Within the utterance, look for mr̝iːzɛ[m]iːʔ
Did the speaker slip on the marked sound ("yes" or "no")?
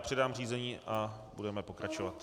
yes